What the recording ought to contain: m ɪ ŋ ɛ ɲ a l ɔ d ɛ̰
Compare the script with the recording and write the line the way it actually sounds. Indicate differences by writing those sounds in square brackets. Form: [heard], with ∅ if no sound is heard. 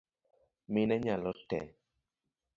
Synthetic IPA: m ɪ [n] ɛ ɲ a l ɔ [t] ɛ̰